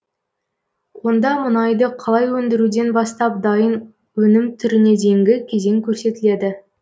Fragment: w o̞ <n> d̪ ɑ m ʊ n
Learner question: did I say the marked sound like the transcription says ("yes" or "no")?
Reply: yes